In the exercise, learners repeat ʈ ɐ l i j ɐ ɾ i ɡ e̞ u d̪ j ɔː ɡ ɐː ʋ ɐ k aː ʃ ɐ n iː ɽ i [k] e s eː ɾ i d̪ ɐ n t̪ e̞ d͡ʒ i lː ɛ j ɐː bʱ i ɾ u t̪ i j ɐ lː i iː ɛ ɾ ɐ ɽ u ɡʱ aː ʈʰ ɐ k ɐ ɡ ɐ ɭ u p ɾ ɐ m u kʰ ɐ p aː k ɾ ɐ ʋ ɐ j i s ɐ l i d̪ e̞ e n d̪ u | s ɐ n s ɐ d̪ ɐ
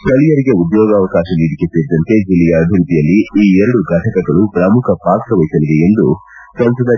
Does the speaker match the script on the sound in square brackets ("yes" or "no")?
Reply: yes